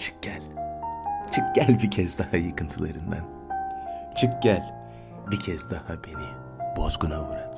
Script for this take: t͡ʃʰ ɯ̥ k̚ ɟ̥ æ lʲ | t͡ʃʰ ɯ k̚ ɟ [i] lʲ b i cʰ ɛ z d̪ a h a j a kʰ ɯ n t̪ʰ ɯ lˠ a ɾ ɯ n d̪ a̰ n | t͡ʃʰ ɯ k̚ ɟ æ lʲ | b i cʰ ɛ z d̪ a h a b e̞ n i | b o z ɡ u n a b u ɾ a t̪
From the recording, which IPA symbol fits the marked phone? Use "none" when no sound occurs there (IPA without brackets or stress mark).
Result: æ